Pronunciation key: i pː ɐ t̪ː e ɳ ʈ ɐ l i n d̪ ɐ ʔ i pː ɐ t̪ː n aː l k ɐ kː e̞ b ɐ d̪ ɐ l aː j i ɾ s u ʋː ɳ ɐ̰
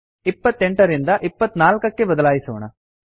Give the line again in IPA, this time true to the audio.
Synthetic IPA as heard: i pː ɐ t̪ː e ɳ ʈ ɐ ɾ i n d̪ ɐ ʔ i pː ɐ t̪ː n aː l k ɐ kː e̞ b ɐ d̪ ɐ l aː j i s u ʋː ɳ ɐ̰